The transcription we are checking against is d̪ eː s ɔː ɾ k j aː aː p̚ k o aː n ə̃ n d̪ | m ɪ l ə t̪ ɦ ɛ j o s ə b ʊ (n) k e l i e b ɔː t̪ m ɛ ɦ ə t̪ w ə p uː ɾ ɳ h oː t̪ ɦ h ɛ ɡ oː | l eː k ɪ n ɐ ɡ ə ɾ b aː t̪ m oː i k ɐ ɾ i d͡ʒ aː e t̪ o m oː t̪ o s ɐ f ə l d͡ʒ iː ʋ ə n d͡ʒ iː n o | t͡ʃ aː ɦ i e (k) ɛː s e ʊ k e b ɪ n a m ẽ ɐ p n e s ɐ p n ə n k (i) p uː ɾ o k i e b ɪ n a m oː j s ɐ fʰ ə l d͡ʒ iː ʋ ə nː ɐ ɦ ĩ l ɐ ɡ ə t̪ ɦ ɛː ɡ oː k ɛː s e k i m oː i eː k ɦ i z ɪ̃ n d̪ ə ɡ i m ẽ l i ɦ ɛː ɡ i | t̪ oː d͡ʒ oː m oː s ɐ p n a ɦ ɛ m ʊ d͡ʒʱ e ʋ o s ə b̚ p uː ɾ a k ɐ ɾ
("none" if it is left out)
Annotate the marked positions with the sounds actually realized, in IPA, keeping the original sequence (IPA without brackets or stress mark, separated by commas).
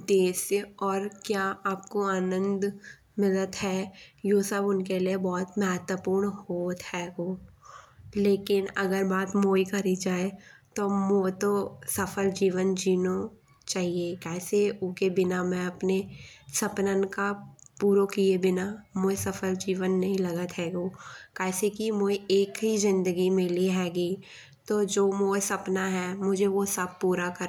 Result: n, k, a